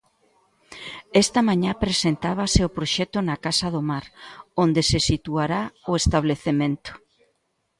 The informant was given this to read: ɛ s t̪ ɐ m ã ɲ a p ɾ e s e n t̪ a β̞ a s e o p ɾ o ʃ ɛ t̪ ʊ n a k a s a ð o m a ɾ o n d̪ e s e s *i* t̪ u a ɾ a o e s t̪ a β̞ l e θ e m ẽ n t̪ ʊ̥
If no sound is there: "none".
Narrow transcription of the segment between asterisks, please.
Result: i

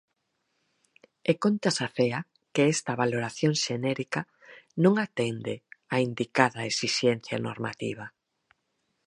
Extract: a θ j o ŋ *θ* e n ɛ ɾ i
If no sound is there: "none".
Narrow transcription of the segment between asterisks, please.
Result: ʃ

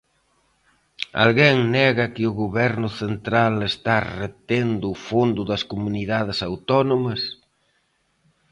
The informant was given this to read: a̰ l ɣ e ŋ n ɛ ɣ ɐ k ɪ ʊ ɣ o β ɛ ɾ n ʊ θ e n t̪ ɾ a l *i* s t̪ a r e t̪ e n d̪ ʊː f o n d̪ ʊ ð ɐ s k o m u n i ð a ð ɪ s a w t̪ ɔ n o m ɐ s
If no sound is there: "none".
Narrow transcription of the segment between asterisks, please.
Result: e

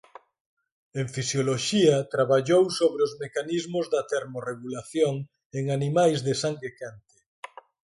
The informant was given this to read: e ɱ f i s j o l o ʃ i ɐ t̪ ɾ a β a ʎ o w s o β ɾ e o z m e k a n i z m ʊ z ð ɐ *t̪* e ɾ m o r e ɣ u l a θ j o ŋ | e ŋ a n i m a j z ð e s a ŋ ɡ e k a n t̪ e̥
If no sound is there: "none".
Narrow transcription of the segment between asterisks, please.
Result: t̪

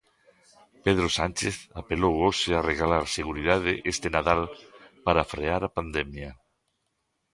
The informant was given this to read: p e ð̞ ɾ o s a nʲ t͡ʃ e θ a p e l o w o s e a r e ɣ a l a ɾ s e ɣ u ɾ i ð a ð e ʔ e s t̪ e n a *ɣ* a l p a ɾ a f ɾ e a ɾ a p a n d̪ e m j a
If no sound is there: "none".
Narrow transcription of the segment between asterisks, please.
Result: ð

